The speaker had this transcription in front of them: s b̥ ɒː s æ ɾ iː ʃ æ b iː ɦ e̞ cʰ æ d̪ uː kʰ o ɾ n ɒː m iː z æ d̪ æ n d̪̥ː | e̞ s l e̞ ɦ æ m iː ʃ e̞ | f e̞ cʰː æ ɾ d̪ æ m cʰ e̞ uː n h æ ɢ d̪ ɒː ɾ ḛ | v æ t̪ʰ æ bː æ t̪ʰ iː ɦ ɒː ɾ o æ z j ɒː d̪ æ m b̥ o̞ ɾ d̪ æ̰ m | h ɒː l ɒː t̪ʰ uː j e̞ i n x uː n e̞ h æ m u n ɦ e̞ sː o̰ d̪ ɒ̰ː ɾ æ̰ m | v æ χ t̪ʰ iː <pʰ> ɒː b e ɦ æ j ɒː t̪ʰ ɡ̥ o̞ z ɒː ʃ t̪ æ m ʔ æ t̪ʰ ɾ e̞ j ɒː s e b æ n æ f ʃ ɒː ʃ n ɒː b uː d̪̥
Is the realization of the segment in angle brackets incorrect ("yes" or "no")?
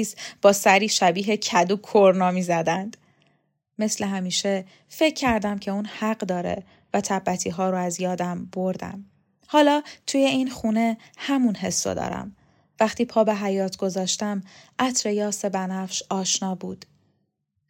no